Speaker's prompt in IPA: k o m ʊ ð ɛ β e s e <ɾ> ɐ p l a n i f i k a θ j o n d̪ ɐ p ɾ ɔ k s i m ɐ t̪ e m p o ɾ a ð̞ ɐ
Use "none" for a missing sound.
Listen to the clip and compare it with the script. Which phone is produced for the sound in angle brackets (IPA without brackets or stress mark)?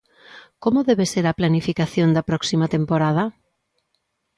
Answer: ɾ